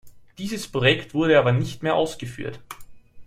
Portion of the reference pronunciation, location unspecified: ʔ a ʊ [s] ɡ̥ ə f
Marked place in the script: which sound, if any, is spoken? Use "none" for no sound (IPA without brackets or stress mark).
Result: s